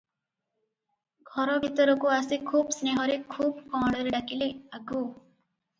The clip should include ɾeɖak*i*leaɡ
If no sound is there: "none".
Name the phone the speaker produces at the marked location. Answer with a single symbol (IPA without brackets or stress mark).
i